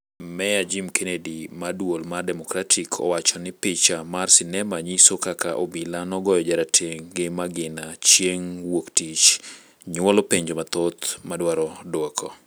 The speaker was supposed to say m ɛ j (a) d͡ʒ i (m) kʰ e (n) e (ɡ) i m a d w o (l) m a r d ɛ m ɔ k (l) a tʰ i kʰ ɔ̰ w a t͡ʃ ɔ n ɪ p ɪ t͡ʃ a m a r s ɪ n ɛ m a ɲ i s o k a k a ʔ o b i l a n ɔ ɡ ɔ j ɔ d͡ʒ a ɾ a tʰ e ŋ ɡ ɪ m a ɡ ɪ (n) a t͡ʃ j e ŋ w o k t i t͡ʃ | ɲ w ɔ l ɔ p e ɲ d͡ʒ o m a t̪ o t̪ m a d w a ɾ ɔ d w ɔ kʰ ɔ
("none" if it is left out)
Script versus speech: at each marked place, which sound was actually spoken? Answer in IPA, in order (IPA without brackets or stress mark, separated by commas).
a, m, n, d, l, ɾ, n